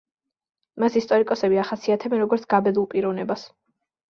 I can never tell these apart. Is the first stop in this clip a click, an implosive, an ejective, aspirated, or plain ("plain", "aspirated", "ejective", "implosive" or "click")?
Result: ejective